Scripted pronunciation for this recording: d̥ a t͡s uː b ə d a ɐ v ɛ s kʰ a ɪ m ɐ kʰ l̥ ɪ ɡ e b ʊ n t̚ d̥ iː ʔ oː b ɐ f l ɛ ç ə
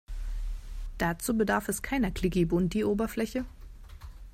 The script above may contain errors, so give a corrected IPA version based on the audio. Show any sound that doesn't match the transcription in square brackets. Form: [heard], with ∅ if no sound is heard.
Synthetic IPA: d̥ a t͡s uː b ə d a ɐ [f] ɛ s kʰ a ɪ [n] ɐ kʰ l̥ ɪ ɡ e b ʊ n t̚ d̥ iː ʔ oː b ɐ f l ɛ ç ə